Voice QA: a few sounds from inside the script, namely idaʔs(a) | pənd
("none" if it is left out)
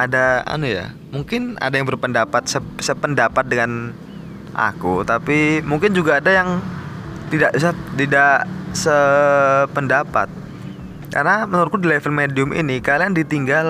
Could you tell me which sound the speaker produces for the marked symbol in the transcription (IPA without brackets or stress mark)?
ə